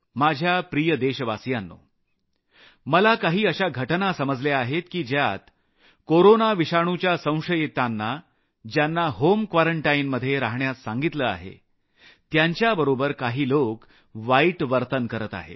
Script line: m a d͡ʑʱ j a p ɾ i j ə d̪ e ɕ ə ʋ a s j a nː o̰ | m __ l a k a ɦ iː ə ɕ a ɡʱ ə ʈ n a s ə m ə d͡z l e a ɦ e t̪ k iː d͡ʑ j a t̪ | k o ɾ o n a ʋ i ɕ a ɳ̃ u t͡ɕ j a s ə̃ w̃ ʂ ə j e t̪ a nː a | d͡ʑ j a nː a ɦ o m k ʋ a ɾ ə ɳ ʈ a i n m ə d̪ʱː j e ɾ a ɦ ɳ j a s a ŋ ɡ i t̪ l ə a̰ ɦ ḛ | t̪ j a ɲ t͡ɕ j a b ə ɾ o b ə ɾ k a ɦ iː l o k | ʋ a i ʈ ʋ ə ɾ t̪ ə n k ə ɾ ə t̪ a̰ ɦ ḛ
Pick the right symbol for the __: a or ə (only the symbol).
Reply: ə